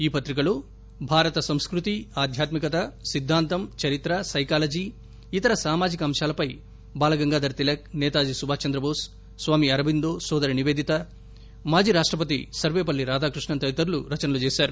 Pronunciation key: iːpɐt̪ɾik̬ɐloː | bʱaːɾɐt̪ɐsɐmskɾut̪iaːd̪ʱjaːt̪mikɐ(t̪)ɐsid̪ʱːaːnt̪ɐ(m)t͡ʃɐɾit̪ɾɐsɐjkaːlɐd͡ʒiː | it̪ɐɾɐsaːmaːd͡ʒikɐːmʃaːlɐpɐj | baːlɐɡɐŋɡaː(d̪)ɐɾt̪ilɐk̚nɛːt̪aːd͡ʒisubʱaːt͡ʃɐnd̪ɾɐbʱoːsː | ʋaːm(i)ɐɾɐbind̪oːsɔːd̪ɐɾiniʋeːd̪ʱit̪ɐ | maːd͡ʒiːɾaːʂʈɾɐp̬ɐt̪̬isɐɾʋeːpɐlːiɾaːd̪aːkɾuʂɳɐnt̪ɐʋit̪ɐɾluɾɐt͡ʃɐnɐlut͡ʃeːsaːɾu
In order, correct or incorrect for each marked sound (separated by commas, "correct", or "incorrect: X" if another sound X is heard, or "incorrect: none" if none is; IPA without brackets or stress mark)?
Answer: correct, correct, correct, correct